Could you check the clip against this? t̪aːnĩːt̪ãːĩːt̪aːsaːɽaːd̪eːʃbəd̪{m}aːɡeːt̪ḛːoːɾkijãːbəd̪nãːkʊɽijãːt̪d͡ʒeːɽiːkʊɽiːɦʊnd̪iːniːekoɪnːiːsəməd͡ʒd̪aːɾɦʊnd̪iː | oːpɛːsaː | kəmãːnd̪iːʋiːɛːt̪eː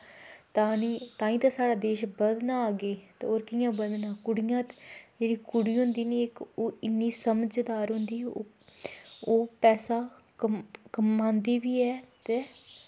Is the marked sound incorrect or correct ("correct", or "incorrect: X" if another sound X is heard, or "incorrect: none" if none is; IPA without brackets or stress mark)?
incorrect: n